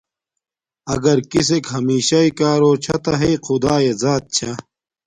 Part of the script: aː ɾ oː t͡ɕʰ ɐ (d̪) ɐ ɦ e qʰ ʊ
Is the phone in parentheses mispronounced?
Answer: yes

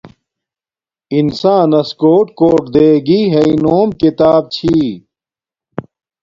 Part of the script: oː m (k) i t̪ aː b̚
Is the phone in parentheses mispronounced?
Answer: no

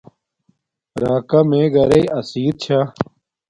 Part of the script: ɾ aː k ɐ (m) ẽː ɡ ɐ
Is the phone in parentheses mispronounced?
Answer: no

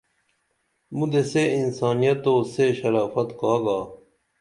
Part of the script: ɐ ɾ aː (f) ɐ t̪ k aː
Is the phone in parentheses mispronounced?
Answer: no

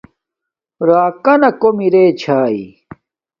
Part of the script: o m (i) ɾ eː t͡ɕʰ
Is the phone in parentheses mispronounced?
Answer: no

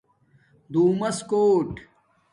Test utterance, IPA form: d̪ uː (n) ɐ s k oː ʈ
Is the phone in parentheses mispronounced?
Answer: yes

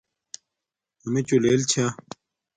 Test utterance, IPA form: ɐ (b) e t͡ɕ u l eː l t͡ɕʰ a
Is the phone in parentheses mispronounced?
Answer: yes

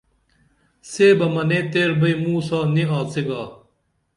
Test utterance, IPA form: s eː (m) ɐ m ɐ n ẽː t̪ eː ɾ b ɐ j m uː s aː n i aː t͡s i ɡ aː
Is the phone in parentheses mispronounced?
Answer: yes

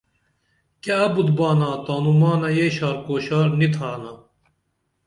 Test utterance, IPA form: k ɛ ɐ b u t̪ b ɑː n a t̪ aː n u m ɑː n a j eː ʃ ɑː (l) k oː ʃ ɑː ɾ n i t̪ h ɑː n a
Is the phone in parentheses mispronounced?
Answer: yes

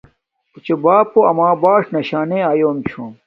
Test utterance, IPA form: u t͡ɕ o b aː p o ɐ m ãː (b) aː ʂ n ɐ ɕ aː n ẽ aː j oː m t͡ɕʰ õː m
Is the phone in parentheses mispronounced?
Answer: no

